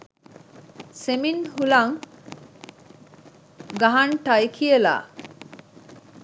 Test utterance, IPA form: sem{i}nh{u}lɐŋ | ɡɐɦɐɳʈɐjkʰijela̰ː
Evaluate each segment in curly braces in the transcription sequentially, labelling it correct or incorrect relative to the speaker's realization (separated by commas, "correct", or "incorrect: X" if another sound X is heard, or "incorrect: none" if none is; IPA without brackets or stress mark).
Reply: correct, correct